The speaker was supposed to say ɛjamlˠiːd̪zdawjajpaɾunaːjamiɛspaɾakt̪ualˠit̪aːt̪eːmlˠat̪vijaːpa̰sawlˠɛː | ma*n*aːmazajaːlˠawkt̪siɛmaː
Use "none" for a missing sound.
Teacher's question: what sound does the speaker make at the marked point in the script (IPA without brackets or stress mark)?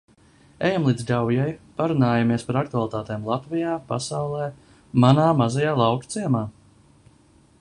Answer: n